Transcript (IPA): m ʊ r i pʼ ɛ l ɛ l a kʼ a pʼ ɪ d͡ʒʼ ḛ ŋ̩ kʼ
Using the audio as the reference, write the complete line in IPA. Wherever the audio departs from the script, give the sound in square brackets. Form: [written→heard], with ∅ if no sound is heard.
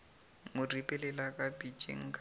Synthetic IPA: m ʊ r i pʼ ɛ l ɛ l a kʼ a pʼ [ɪ→i] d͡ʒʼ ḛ ŋ̩ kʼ